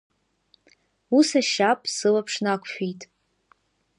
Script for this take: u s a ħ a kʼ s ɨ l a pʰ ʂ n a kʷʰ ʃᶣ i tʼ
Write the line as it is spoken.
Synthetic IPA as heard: u s a ʃ a pʼ s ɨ l a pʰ ʂ n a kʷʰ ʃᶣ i tʼ